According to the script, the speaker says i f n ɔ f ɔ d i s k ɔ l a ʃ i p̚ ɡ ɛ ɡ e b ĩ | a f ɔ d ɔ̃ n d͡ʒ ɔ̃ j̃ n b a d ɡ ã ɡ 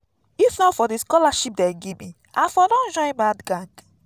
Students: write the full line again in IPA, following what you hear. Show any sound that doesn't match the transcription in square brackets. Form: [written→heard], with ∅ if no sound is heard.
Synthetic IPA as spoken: i f n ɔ f ɔ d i s k ɔ l a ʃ i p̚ [ɡ→d] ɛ ɡ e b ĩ | a f ɔ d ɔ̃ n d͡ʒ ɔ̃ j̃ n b a d ɡ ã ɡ